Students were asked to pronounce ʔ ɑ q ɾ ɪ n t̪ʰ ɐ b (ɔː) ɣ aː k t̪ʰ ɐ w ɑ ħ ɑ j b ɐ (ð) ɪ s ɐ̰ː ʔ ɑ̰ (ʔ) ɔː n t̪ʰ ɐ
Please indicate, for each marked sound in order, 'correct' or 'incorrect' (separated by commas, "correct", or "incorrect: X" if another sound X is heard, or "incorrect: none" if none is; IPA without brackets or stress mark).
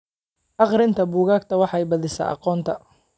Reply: incorrect: uː, correct, incorrect: q